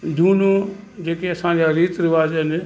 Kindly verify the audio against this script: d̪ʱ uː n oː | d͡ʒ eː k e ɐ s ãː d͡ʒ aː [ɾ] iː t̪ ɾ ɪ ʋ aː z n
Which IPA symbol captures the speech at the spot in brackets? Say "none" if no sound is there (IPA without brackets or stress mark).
ɾ